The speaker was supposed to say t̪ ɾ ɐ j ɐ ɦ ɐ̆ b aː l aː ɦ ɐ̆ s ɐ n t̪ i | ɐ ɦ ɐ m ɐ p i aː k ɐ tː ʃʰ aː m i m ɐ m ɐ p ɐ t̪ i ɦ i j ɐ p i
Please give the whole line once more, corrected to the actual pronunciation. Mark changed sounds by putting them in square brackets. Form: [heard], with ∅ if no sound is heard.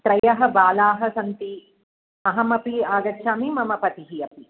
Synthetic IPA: t̪ ɾ ɐ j ɐ ɦ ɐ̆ b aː l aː ɦ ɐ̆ s ɐ n t̪ i | ɐ ɦ ɐ m ɐ p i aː [ɡ] ɐ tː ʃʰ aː m i m ɐ m ɐ p ɐ t̪ i ɦ i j ɐ p i